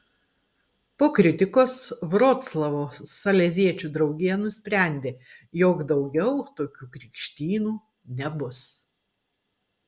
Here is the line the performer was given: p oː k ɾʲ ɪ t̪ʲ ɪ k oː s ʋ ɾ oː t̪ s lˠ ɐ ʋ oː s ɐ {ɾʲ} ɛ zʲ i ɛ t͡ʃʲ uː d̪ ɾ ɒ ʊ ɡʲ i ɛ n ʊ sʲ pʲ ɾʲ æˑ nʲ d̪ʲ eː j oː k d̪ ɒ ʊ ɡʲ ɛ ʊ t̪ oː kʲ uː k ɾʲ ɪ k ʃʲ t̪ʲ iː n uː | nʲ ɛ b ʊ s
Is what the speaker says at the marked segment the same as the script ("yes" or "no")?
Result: no